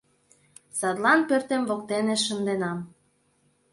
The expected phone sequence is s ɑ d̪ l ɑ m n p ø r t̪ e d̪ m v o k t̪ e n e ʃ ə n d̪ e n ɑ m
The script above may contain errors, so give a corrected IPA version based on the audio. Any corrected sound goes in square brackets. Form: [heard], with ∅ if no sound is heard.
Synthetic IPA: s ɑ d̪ l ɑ [∅] n p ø r t̪ e [∅] m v o k t̪ e n e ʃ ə n d̪ e n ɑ m